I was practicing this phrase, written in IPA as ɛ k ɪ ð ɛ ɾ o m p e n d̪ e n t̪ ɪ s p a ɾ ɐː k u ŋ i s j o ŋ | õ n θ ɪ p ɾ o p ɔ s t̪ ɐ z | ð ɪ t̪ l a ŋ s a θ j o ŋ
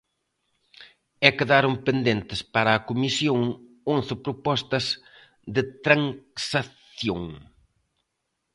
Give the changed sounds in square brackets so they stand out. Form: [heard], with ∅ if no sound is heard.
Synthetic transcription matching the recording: ɛ k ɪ ð [a] ɾ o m p e n d̪ e n t̪ ɪ s p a ɾ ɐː k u [m] i s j o ŋ | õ n θ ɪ p ɾ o p ɔ s t̪ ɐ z | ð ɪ t̪ [ɾ] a ŋ s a θ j o ŋ